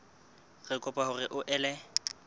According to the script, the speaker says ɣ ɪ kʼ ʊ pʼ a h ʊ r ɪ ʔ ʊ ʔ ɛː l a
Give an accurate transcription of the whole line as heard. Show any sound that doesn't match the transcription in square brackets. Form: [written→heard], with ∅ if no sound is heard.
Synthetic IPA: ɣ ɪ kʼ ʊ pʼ a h ʊ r ɪ ʔ ʊ ʔ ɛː l [a→ɛ]